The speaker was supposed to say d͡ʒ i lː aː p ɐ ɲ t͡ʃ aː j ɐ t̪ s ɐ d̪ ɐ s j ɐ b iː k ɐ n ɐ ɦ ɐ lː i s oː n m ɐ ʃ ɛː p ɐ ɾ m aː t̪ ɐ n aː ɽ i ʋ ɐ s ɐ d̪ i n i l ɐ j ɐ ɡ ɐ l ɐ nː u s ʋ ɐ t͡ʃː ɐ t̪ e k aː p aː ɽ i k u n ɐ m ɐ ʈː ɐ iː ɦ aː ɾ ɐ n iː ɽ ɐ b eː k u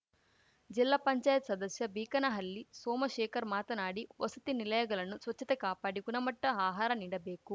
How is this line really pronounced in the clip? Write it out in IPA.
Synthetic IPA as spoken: d͡ʒ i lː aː p ɐ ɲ t͡ʃ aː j ɐ t̪ s ɐ d̪ ɐ s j ɐ b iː k ɐ n ɐ ɦ ɐ lː i s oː m ɐ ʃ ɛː k ɐ ɾ m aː t̪ ɐ n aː ɽ i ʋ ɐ s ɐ t̪ i n i l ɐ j ɐ ɡ ɐ l ɐ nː u s ʋ ɐ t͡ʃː ɐ t̪ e k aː p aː ɽ i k u n ɐ m ɐ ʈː ɐ aː ɦ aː ɾ ɐ n iː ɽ ɐ b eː k u